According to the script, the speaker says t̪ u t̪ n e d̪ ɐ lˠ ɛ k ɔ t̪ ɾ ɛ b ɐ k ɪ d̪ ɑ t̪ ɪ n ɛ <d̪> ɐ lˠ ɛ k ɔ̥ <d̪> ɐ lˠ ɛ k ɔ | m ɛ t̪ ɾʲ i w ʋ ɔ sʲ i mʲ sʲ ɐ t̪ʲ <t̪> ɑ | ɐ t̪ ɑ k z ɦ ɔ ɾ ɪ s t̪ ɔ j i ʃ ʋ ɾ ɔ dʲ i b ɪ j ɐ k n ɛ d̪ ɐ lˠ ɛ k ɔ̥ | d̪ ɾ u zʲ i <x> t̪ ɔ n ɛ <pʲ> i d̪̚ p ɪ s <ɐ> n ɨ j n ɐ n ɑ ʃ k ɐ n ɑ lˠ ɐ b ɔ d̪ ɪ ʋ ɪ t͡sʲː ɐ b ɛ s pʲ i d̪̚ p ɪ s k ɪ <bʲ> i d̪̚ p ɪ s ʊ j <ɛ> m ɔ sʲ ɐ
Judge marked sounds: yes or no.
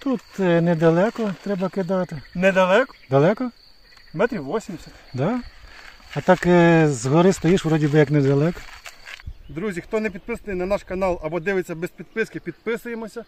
yes, yes, no, yes, yes, yes, no, no

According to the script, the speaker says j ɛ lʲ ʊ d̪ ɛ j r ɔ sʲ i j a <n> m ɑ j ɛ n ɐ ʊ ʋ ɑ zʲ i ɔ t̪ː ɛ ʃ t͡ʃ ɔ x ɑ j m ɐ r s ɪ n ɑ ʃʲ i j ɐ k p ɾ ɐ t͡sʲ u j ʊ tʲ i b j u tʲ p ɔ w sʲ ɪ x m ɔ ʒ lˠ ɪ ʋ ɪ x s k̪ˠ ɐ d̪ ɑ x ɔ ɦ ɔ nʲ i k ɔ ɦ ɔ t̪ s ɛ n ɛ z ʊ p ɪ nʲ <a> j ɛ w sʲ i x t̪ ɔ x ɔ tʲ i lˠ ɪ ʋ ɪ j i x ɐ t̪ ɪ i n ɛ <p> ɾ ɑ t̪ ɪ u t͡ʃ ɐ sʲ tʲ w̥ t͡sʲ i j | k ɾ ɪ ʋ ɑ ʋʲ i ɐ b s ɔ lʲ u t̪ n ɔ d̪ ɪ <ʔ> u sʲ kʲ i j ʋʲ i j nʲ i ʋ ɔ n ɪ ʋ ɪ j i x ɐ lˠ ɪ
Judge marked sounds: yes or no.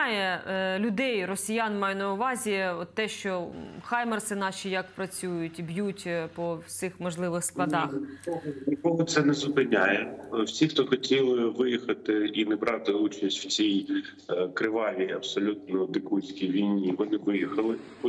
yes, yes, no, no

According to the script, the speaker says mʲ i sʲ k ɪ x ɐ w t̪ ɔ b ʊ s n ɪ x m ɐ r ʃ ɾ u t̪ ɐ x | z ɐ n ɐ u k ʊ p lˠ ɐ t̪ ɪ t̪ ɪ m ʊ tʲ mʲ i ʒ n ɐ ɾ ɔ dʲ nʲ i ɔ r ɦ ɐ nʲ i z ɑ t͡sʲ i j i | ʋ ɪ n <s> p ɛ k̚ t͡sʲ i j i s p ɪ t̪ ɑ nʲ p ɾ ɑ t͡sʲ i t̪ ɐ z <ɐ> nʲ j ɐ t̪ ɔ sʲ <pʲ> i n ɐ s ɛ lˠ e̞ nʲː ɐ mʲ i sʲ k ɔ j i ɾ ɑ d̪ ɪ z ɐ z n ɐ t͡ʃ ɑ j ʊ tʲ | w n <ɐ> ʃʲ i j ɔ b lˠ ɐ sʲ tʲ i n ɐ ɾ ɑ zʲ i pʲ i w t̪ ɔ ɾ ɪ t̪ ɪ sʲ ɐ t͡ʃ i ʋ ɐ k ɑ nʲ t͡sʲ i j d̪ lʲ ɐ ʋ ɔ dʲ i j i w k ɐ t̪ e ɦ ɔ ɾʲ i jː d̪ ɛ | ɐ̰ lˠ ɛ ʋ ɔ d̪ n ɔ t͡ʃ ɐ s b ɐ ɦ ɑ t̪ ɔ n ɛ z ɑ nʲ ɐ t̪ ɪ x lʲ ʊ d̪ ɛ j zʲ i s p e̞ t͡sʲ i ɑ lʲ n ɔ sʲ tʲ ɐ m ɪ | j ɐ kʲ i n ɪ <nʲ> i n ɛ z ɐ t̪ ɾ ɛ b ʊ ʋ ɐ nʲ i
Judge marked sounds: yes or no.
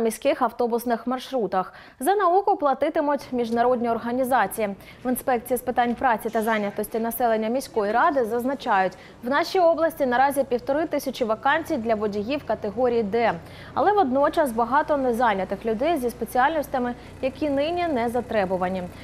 yes, no, no, no, yes

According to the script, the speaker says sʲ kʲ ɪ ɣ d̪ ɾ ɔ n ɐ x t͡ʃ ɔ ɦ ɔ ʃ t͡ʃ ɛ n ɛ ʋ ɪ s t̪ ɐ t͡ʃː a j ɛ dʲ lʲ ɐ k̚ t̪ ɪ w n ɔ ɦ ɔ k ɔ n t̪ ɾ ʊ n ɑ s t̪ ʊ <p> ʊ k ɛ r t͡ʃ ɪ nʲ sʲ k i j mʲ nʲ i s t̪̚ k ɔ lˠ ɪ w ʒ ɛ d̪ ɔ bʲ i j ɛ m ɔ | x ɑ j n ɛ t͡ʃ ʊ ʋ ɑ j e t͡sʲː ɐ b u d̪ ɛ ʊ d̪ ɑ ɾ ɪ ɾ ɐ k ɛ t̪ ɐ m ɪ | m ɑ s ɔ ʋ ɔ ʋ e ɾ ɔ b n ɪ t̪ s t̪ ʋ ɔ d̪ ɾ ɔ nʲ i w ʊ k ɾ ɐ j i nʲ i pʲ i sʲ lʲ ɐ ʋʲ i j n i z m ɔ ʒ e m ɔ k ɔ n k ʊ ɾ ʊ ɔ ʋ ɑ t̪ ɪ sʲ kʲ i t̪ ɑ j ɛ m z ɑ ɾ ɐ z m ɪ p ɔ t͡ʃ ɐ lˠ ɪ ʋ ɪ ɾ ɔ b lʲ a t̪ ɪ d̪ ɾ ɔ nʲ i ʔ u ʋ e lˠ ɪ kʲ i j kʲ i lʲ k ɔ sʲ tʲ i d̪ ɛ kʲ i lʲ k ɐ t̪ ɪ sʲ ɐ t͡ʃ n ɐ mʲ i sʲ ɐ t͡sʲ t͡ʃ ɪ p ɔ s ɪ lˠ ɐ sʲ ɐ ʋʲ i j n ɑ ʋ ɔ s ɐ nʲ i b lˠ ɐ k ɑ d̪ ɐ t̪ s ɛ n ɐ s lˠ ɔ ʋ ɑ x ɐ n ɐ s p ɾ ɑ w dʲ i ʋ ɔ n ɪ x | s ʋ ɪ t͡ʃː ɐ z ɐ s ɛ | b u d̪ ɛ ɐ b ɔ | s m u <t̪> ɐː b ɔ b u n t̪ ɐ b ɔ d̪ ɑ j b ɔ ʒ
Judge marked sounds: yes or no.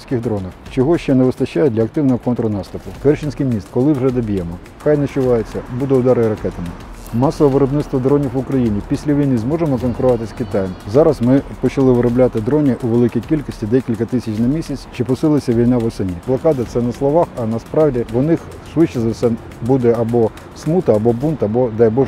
yes, yes

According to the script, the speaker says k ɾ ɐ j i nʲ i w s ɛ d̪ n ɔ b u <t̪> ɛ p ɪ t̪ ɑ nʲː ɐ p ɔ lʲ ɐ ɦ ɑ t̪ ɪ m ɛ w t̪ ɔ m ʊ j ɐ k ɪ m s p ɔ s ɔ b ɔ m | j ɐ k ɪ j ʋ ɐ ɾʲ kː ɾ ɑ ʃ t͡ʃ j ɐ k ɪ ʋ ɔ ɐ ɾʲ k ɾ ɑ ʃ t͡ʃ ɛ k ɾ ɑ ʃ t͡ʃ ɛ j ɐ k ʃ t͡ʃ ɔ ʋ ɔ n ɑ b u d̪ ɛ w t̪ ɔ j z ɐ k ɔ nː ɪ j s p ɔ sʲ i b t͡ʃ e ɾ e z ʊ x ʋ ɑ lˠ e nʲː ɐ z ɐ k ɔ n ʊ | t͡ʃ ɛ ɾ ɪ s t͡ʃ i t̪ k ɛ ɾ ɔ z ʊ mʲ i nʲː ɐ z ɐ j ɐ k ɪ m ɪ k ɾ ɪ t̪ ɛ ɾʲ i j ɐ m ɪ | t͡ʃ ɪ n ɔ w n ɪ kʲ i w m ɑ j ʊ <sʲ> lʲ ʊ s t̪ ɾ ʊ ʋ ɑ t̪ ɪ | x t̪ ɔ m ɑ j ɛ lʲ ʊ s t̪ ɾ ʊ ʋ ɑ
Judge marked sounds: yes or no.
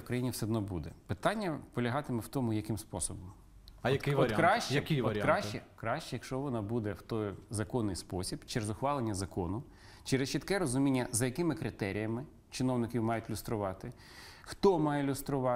no, no

